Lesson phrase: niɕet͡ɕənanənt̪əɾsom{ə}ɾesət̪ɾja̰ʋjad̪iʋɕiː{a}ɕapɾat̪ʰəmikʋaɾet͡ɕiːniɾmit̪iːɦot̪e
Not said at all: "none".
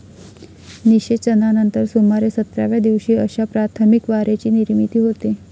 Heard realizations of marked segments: a, ə

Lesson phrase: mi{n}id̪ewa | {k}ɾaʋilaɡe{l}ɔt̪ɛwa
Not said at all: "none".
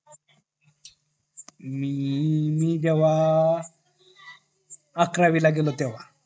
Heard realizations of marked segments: m, k, l

